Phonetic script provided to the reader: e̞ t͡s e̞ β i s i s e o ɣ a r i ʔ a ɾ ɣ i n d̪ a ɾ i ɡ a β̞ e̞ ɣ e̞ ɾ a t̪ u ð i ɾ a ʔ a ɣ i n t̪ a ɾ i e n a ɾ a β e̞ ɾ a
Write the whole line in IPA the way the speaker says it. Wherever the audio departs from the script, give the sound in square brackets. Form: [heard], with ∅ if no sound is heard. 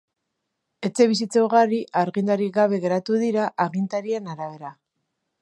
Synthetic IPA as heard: e̞ t͡s e̞ β i s i [t͡s] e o ɣ a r i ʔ a ɾ ɣ i n d̪ a ɾ i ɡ a β̞ e̞ ɣ e̞ ɾ a t̪ u ð i ɾ a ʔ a ɣ i n t̪ a ɾ i e n a ɾ a β e̞ ɾ a